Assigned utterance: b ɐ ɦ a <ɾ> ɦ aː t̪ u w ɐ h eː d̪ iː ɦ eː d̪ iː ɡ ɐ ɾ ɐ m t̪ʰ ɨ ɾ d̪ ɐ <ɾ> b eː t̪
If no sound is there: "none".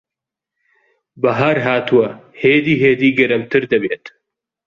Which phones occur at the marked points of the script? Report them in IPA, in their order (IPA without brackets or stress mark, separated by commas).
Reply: ɾ, none